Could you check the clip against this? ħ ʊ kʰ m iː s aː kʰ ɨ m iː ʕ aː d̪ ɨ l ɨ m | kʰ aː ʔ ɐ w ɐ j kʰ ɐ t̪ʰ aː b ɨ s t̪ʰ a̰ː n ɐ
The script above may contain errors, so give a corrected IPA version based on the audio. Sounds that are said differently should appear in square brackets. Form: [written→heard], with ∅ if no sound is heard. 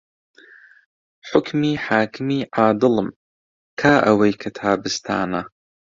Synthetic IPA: ħ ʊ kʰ m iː [s→ħ] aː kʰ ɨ m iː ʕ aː d̪ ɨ l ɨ m | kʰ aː ʔ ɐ w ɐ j kʰ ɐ t̪ʰ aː b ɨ s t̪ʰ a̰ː n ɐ